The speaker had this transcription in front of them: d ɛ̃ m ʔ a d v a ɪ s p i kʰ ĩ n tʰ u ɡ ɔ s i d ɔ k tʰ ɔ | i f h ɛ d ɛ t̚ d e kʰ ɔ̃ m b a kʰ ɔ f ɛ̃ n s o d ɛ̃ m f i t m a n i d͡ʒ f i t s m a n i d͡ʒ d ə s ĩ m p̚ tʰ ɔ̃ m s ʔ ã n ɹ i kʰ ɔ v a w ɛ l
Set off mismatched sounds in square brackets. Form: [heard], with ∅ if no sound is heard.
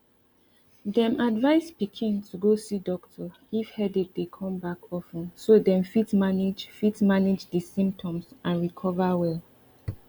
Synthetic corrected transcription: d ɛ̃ m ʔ a d v a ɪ s p i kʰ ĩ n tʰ u ɡ [o] s i d ɔ k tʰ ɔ | i f h ɛ d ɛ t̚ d e kʰ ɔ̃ m b a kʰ ɔ f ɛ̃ n s o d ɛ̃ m f i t m a n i d͡ʒ f i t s m a n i d͡ʒ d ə s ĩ m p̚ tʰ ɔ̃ m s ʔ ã n ɹ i kʰ ɔ v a w ɛ l

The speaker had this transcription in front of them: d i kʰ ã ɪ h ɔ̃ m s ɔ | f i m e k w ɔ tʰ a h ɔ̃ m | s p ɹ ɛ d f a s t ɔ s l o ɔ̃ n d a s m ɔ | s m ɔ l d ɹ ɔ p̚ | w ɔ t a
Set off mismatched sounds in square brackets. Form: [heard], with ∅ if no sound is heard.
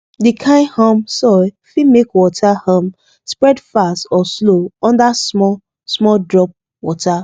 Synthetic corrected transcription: d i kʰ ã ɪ h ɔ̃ m s ɔ | f i m e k w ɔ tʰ a h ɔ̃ m | s p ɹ ɛ d f a s t ɔ s l o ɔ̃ n d a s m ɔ | s m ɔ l d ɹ ɔ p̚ | w ɔ t a

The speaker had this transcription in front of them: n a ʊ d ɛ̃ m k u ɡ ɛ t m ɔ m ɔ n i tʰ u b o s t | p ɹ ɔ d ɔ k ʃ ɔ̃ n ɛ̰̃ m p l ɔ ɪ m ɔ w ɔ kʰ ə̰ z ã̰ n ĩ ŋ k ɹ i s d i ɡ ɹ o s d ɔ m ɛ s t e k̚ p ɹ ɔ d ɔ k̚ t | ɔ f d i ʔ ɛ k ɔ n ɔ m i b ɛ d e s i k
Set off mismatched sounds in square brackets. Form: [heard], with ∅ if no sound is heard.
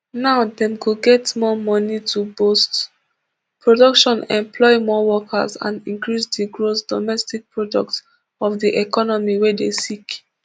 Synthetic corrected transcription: n a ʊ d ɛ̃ m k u ɡ ɛ t m ɔ m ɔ n i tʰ u b o s t | p ɹ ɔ d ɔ k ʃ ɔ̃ n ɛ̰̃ m p l ɔ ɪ m ɔ w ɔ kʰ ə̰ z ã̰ n ĩ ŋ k ɹ i s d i ɡ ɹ o s d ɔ m ɛ s t [i] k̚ p ɹ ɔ d ɔ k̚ t | ɔ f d i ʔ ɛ k ɔ n ɔ m i [w] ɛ d e s i k

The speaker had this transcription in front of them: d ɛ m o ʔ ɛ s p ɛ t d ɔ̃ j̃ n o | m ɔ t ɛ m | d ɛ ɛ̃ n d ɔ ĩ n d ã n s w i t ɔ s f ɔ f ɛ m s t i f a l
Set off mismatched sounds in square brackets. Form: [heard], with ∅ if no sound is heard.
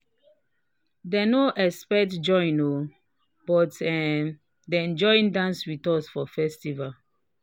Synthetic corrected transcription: d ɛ [n] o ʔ ɛ s p ɛ t [d͡ʒ] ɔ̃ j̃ n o | [b] ɔ t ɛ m | d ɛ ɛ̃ n [d͡ʒ] ɔ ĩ n d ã n s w i t ɔ s f ɔ f ɛ [∅] s t i [v] a l

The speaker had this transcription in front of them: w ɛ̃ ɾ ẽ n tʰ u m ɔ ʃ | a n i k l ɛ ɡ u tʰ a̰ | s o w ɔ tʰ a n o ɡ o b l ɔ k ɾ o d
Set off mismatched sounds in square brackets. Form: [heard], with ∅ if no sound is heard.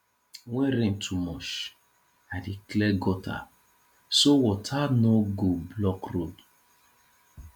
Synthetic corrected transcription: w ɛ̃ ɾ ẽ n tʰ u m ɔ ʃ | a [d] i k l ɛ ɡ [ɔ] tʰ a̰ | s o w ɔ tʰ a n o ɡ o b l ɔ k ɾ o d

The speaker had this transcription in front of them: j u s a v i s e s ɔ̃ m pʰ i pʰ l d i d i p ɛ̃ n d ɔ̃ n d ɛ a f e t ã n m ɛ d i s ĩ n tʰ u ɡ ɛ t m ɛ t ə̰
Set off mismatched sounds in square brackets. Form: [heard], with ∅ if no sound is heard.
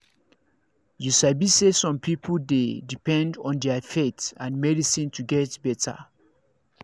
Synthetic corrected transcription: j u s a [b] i s e s ɔ̃ m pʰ i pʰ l d [e] d i p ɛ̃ n d ɔ̃ n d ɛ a f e t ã n m ɛ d i s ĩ n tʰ u ɡ ɛ t [b] ɛ t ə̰

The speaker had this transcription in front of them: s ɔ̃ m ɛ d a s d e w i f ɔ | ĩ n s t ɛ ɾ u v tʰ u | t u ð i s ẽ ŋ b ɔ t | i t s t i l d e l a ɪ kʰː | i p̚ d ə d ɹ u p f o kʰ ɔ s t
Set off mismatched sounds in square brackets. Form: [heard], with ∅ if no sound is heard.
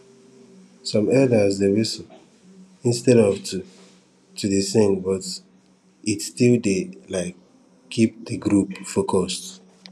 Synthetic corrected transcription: s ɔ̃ m ɛ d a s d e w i [s] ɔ | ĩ n s t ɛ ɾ [ɔ] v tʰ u | t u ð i s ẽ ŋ b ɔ t | i t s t i l d e l a ɪ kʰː | i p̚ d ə [ɡ] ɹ u p f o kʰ ɔ s t

